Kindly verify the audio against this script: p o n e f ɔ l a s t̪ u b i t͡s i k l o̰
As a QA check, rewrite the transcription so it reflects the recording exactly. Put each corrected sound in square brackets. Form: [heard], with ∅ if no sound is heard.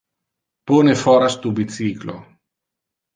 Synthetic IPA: p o n e f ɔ [ɾ] a s t̪ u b i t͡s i k l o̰